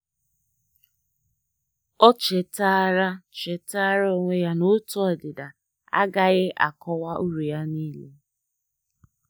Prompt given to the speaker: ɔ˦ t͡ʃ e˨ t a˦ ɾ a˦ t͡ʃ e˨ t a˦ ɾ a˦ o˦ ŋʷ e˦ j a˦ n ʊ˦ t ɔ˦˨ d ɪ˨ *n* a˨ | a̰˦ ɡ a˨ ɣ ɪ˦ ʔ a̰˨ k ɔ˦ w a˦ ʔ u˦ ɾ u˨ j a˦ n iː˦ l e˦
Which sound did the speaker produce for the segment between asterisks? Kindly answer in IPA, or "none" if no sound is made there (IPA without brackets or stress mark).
d